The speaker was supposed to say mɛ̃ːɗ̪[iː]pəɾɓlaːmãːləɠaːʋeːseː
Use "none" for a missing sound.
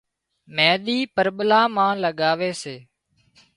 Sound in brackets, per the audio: iː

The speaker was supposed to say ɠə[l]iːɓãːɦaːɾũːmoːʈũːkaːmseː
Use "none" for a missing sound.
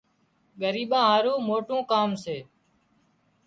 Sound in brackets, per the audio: ɾ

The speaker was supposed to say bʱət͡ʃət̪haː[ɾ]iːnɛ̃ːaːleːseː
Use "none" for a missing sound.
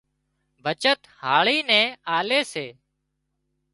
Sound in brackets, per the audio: ɭ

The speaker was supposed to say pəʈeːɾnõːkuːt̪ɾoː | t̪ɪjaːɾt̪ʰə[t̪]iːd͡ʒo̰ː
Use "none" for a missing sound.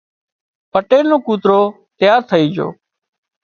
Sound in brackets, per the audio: none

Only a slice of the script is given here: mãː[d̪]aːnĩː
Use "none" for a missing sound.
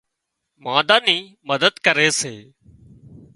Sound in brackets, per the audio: d̪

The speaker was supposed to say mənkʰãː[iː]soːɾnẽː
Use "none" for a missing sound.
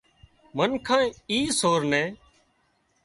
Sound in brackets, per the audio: iː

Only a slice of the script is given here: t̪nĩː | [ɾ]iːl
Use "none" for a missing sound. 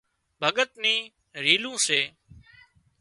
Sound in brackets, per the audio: ɾ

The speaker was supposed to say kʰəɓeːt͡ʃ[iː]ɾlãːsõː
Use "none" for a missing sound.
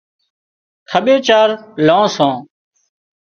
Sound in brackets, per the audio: aː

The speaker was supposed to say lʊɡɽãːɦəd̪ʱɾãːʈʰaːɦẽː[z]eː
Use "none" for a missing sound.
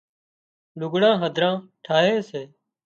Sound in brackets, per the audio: s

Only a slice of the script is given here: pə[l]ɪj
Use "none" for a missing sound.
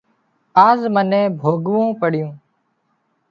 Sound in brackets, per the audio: ɽ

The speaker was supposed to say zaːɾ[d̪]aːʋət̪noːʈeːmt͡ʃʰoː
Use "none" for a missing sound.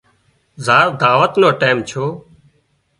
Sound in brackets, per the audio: d̪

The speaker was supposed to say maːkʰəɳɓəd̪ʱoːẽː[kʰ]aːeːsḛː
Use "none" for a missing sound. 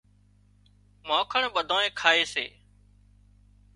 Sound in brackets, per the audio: kʰ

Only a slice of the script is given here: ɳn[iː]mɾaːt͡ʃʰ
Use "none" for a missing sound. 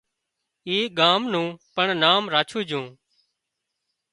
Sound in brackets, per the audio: aː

